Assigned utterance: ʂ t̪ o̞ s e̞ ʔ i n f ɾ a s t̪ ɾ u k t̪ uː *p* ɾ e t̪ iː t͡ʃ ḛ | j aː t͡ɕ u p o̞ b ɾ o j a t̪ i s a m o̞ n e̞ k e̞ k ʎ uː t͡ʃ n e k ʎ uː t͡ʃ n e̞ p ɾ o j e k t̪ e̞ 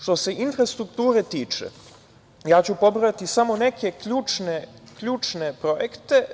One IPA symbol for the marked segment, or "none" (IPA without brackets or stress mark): none